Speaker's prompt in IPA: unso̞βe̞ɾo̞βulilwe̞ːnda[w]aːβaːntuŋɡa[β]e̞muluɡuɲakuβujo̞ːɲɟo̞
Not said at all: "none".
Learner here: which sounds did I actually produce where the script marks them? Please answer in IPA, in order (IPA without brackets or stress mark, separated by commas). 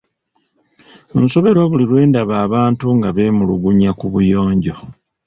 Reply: β, β